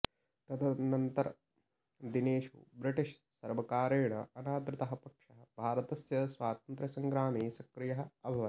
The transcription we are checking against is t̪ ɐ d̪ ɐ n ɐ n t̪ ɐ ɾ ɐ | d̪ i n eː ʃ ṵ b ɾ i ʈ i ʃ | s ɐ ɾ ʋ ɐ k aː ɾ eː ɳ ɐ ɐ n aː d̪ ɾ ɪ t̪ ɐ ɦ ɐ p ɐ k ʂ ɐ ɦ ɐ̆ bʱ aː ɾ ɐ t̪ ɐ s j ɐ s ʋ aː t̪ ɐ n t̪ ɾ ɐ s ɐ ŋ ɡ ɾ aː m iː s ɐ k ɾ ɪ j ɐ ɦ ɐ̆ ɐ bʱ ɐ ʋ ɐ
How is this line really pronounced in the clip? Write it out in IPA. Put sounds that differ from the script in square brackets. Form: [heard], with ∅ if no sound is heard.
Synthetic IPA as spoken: t̪ ɐ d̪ ɐ n ɐ n t̪ ɐ ɾ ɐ | d̪ i n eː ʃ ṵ b ɾ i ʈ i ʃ | s ɐ ɾ ʋ ɐ k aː ɾ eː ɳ ɐ ɐ n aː d̪ ɾ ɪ t̪ ɐ ɦ ɐ p ɐ k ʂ ɐ ɦ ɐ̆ bʱ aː ɾ ɐ t̪ ɐ s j ɐ s ʋ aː t̪ ɐ n t̪ ɾ ɐ s ɐ ŋ ɡ ɾ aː m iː s ɐ k ɾ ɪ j ɐ ɦ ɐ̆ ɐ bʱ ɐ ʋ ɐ